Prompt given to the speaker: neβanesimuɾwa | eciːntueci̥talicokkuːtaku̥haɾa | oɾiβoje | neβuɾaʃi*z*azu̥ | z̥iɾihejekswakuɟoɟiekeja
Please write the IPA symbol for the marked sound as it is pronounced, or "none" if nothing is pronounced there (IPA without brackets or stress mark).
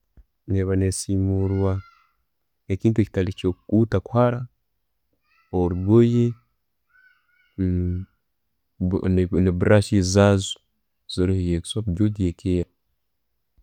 z